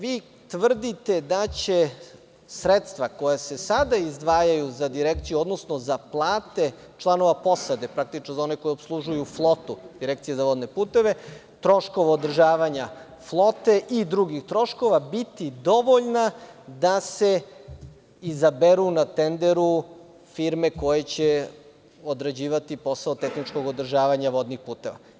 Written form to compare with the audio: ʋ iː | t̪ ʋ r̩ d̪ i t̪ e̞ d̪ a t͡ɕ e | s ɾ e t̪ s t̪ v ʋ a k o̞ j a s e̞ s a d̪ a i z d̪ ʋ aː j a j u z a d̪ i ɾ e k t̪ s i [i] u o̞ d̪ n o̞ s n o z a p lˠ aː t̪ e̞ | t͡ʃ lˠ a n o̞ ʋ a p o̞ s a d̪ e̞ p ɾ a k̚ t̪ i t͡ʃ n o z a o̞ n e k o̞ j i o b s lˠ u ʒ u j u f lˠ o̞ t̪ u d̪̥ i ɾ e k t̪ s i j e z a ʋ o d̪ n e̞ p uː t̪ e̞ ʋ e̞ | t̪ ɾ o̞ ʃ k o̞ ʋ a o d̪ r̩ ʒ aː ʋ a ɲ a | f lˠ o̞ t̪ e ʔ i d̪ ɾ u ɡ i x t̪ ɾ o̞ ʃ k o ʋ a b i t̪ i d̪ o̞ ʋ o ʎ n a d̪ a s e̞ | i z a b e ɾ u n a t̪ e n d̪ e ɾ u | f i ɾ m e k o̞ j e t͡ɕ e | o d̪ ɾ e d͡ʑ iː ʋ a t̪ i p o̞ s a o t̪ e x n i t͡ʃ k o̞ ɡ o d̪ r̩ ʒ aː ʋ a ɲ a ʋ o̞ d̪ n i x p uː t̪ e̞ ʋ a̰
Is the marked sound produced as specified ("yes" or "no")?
no